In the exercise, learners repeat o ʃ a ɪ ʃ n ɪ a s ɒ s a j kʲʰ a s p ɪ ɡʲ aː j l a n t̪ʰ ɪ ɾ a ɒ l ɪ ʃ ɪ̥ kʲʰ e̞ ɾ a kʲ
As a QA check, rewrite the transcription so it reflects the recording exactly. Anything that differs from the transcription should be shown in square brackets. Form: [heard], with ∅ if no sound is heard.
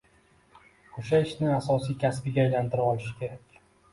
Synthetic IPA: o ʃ a ɪ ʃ n ɪ a s ɒ s [i] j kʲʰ a s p ɪ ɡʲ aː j l a n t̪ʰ ɪ ɾ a ɒ l ɪ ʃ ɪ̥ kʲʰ e̞ ɾ a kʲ